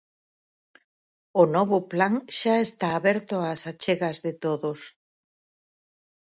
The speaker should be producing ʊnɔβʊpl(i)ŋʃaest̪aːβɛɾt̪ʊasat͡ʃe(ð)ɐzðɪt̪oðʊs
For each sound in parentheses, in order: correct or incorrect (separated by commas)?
incorrect, incorrect